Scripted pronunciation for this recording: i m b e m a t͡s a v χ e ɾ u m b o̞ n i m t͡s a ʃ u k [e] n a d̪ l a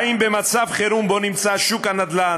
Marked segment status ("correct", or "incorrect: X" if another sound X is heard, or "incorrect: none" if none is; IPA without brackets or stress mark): incorrect: a